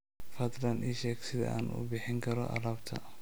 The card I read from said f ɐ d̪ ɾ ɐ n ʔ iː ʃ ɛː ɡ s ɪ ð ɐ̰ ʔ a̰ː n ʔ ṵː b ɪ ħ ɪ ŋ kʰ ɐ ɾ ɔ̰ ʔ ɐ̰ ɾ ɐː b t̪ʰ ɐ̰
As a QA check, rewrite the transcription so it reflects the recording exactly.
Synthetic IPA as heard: f ɐ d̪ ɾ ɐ n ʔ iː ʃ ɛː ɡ s ɪ ð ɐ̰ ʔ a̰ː n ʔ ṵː b ɪ ħ ɪ ŋ kʰ ɐ ɾ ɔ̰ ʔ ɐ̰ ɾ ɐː b t̪ʰ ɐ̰